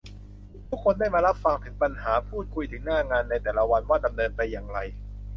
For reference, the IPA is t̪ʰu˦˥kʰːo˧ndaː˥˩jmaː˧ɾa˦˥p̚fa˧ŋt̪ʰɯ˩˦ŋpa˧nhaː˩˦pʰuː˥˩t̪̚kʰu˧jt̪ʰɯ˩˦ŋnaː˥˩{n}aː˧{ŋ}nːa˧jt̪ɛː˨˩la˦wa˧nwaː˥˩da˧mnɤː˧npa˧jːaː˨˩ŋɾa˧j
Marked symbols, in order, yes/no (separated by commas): no, no